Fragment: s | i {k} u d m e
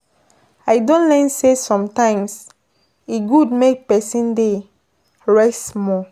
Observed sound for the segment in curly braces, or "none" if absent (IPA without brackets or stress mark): ɡ